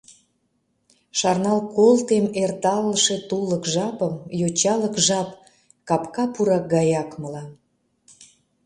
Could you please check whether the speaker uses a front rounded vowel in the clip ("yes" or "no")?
no